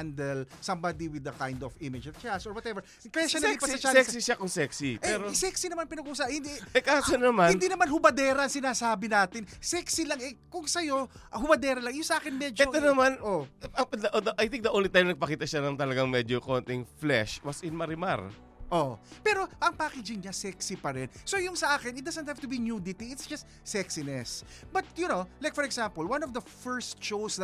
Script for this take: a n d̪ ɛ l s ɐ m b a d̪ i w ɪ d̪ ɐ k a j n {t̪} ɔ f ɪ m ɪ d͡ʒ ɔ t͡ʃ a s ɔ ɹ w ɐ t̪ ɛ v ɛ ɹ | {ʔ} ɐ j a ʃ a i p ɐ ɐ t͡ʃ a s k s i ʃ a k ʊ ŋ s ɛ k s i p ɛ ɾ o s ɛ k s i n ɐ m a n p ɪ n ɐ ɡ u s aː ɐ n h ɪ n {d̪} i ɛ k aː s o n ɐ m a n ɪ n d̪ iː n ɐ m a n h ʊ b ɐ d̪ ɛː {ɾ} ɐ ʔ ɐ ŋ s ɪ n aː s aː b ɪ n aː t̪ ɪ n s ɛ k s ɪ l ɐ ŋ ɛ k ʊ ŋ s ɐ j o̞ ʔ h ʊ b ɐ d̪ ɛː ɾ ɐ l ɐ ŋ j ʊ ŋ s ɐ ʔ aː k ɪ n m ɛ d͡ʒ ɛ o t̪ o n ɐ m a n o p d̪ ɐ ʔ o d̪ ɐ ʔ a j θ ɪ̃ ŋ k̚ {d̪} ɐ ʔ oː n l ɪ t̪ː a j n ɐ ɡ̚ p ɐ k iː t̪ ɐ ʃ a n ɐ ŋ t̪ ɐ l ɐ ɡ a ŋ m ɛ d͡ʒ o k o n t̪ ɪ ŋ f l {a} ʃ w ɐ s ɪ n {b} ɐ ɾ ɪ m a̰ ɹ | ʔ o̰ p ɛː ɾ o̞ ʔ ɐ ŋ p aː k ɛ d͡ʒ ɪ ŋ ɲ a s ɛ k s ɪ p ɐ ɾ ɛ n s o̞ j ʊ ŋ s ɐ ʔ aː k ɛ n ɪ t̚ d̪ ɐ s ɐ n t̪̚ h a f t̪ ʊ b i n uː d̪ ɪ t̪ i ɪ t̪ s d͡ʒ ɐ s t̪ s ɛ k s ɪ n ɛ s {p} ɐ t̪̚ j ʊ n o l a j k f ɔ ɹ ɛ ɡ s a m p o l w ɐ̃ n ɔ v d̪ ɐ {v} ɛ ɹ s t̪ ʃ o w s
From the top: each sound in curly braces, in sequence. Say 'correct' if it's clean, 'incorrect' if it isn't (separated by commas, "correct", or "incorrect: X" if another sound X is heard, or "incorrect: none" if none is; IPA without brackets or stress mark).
incorrect: d̪, incorrect: k, correct, correct, correct, incorrect: ɛ, incorrect: m, incorrect: b, incorrect: f